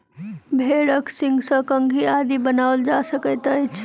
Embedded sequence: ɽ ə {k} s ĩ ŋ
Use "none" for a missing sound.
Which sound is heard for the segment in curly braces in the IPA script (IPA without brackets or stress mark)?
k